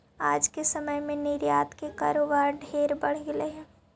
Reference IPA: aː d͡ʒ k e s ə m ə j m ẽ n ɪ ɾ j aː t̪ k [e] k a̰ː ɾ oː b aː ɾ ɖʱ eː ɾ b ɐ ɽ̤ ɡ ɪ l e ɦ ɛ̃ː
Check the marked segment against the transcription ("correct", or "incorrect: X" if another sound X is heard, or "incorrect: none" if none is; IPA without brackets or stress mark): correct